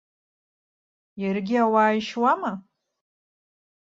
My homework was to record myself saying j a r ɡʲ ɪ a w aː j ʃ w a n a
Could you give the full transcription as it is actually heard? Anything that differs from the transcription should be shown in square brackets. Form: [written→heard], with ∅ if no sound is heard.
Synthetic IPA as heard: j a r ɡʲ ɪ a w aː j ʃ w a [n→m] a